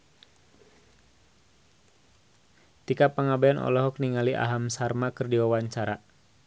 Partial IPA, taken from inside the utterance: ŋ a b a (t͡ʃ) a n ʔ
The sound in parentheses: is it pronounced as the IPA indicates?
no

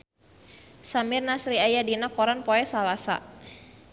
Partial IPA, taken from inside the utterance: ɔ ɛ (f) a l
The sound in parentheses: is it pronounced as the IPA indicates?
no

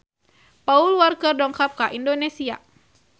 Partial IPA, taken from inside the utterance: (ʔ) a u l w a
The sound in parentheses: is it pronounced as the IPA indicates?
no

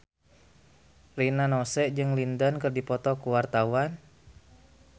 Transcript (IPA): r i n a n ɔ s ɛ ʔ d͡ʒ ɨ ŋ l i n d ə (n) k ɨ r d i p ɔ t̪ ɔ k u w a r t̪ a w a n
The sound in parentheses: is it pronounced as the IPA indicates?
yes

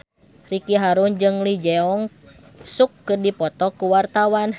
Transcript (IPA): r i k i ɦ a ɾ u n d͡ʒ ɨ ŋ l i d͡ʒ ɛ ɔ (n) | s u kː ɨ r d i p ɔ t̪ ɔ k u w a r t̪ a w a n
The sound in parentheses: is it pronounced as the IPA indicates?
no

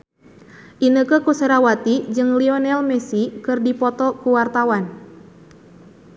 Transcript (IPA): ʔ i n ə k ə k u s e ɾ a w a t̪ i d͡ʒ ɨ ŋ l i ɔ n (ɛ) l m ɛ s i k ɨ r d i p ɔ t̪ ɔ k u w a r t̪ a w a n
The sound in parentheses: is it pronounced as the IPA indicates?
yes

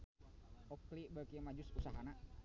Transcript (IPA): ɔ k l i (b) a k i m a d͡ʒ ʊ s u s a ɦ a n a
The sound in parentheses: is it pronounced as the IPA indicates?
yes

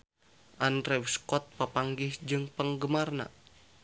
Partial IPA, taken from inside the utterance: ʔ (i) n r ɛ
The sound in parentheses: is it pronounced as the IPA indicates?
no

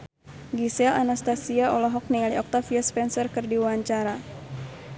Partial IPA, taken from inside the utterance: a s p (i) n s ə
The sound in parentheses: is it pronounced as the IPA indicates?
no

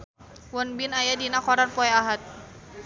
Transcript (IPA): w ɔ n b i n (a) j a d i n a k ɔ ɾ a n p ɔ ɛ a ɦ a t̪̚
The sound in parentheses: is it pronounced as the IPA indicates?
yes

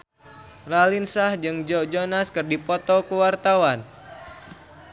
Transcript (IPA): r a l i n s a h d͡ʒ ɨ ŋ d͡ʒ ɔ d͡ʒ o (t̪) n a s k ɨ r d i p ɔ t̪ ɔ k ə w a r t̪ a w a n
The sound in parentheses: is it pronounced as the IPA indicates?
no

